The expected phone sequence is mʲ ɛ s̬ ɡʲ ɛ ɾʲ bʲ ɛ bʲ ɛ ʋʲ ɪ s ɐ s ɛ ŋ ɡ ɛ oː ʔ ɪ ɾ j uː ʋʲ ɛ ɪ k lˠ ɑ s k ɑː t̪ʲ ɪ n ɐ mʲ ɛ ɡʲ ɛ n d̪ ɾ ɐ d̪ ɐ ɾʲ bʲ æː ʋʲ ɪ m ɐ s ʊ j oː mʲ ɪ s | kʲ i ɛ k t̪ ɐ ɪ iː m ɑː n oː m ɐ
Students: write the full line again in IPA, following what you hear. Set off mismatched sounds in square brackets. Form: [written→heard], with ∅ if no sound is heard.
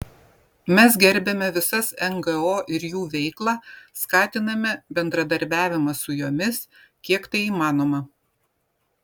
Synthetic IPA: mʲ ɛ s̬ ɡʲ ɛ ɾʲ bʲ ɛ [bʲ→mʲ] ɛ ʋʲ ɪ s ɐ s ɛ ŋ ɡ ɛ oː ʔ ɪ ɾ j uː ʋʲ ɛ ɪ k lˠ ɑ s k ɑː t̪ʲ ɪ n ɐ mʲ ɛ [ɡʲ→bʲ] ɛ n d̪ ɾ ɐ d̪ ɐ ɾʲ bʲ æː ʋʲ ɪ m ɐ s ʊ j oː mʲ ɪ s | kʲ i ɛ k t̪ ɐ ɪ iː m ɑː n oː m ɐ